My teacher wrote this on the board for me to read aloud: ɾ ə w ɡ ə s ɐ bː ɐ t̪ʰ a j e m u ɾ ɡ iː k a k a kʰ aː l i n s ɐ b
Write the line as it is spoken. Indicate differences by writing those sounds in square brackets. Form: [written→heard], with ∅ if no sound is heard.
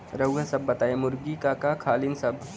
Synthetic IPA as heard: ɾ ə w ɡ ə s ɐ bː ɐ [t̪ʰ→t̪] a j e m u ɾ ɡ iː k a k a kʰ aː l i n s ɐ b